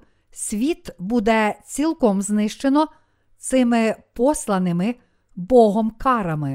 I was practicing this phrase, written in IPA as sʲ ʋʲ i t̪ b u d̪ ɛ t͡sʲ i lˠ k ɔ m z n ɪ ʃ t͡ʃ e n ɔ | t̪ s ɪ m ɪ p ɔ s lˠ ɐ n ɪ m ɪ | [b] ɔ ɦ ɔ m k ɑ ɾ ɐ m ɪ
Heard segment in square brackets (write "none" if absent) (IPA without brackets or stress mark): b